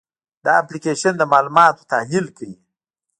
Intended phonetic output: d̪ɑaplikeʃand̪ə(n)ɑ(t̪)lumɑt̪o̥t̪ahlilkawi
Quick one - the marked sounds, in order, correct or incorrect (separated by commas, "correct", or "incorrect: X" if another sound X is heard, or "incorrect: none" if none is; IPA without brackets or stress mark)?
incorrect: m, incorrect: none